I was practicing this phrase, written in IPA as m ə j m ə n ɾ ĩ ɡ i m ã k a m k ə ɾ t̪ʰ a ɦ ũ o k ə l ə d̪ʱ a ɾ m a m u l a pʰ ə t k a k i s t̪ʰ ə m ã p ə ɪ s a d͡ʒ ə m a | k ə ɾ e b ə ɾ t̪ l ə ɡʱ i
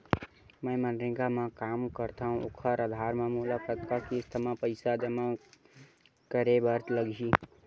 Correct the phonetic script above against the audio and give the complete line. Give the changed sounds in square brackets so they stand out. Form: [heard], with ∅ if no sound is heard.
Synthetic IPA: m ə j m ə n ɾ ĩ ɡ [a] m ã k a m k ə ɾ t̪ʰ a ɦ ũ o [kʰ] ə [ɾ] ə d̪ʱ a ɾ m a m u l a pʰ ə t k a k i s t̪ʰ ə m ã p ə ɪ s a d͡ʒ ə m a | k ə ɾ e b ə ɾ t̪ l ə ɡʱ i